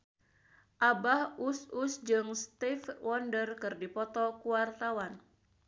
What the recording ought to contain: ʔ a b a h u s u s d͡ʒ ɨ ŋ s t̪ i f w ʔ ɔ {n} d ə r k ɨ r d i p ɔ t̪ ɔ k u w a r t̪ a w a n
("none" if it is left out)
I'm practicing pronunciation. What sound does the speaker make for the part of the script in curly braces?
n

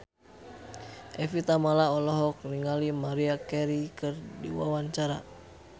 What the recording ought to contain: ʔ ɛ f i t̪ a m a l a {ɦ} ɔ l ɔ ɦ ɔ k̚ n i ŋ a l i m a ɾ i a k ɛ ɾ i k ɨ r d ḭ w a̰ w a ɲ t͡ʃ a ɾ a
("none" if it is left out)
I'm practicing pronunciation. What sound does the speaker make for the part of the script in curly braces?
none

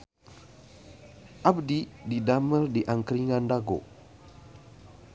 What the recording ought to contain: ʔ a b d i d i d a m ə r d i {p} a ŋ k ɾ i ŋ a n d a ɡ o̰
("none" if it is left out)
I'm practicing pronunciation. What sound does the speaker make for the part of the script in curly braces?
ʔ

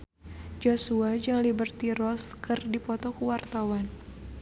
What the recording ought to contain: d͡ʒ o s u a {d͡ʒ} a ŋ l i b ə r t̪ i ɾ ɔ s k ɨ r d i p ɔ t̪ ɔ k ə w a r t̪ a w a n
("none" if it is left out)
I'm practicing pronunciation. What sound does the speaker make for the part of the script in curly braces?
d͡ʒ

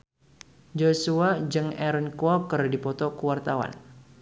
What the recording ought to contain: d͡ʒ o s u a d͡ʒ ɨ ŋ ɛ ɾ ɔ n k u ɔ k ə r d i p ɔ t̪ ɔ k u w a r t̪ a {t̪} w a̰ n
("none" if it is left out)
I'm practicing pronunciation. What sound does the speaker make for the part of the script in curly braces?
none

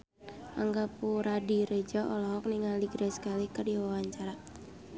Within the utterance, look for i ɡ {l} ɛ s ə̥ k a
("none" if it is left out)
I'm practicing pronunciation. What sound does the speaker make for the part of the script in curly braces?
ɾ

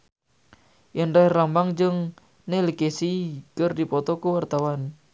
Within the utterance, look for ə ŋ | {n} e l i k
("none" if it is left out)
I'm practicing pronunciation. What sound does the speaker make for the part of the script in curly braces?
n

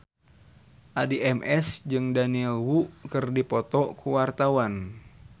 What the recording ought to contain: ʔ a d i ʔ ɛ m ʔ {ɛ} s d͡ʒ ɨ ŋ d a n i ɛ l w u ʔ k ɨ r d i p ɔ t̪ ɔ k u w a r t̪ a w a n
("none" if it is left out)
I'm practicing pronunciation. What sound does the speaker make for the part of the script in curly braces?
ɛ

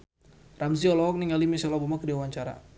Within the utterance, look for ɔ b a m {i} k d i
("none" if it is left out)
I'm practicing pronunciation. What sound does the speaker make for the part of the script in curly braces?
a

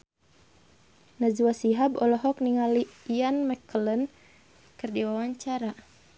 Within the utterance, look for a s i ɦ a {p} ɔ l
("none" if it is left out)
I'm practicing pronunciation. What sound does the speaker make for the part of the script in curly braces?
b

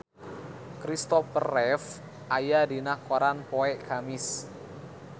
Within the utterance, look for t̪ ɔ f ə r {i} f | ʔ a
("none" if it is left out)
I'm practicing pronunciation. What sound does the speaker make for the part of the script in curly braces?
ɛ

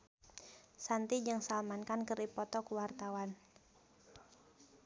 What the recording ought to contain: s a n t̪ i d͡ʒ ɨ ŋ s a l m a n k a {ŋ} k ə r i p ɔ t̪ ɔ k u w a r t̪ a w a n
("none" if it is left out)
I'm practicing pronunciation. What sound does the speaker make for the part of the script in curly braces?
n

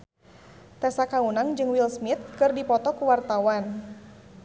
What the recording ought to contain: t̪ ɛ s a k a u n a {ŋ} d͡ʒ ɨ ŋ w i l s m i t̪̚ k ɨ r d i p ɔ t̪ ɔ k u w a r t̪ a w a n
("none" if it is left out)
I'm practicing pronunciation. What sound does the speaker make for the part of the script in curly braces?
ŋ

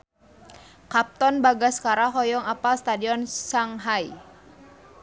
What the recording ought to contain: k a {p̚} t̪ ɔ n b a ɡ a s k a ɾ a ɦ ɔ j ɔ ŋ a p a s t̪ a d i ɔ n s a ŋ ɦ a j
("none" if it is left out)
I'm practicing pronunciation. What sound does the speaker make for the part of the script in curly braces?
p̚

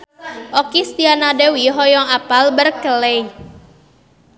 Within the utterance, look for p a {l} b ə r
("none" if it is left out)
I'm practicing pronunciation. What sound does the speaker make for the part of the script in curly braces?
l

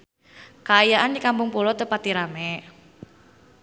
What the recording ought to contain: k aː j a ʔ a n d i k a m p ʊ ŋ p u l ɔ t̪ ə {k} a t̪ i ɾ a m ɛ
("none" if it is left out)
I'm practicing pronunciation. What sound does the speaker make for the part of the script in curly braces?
p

